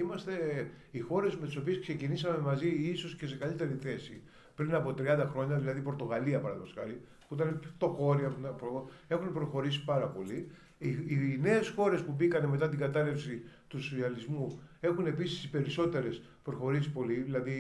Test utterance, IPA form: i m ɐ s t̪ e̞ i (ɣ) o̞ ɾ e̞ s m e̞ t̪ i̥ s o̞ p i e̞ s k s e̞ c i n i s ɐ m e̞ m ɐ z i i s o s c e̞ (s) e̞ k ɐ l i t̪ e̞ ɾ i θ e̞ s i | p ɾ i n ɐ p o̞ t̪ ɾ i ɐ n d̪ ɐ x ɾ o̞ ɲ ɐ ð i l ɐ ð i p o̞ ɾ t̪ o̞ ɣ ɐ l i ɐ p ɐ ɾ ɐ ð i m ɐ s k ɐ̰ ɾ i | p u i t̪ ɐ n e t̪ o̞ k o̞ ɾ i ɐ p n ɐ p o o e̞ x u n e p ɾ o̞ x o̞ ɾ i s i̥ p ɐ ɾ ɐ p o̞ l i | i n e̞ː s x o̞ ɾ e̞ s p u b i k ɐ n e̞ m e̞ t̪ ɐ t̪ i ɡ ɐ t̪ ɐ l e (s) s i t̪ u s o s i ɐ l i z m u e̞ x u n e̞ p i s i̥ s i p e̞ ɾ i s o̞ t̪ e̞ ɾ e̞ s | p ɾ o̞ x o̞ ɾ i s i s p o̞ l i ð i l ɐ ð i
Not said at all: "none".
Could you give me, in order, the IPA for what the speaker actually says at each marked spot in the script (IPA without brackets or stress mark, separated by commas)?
x, s, f